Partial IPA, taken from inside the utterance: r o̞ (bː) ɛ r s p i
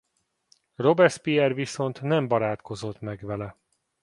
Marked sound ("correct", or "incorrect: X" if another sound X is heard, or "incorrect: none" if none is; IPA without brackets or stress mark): incorrect: b